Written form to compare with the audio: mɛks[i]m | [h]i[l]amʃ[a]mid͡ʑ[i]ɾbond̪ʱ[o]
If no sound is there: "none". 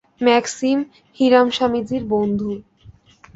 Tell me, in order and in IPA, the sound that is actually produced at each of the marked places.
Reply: i, h, ɾ, a, i, u

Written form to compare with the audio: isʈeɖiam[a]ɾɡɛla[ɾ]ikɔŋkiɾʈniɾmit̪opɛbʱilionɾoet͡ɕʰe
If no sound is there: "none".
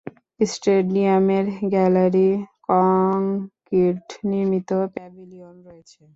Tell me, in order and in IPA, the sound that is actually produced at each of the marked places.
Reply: e, ɾ

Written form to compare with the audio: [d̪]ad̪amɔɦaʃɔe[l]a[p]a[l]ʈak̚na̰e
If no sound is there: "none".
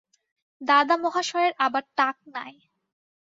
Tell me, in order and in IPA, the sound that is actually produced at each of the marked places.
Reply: d̪, ɾ, b, ɾ

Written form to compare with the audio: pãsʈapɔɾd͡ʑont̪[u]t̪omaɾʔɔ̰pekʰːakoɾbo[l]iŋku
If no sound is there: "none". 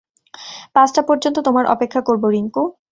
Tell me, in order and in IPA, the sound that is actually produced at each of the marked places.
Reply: o, ɾ

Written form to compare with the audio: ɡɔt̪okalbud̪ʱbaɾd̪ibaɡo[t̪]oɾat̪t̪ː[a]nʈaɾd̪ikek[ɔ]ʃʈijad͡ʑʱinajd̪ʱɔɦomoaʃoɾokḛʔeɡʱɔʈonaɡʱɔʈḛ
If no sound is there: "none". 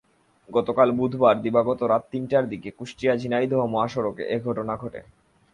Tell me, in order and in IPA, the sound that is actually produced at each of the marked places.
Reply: t̪, i, u

